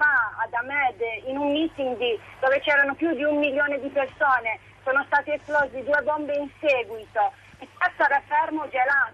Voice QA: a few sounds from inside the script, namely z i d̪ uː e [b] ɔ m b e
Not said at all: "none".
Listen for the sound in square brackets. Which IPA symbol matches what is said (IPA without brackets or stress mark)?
b